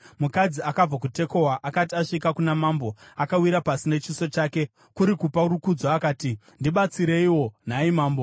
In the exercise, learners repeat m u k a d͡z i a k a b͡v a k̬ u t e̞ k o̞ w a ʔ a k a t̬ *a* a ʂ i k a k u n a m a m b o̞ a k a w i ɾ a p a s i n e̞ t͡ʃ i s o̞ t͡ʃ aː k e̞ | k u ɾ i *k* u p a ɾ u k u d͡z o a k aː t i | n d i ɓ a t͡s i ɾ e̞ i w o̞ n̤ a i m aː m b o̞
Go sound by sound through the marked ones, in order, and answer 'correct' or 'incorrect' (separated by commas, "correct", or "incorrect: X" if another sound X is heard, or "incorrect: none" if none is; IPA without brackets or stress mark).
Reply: incorrect: i, correct